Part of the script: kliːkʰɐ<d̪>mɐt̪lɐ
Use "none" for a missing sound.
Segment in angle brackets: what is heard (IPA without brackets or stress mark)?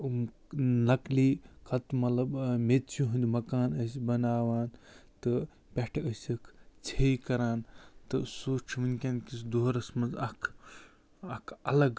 t̪